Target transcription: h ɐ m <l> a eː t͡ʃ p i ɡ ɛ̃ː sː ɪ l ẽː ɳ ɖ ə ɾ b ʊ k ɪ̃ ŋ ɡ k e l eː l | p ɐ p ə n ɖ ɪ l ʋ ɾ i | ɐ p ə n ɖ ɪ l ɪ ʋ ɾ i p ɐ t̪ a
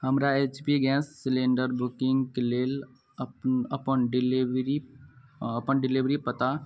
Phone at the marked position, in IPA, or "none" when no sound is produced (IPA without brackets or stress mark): ɾ